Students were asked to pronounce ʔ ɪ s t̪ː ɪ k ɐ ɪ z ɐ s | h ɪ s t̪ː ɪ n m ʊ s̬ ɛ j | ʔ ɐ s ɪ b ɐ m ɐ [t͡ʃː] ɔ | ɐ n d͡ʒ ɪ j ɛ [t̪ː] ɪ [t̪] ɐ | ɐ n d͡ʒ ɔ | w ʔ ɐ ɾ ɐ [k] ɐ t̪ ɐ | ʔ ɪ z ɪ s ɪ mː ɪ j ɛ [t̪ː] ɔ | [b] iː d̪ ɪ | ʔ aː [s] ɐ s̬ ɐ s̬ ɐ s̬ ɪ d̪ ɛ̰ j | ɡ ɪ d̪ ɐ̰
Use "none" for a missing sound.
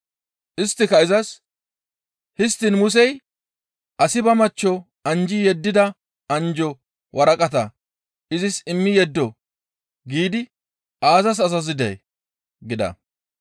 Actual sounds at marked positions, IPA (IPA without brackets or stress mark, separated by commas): t͡ʃː, d̪ː, d̪, kʼ, d̪ː, ɡ, z